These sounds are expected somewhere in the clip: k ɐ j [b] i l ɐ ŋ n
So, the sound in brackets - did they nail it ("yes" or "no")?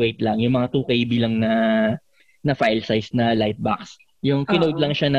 yes